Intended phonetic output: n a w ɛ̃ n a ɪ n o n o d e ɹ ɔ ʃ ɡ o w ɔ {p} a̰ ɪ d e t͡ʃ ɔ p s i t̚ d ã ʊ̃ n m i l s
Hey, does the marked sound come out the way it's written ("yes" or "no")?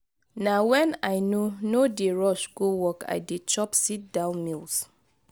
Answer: no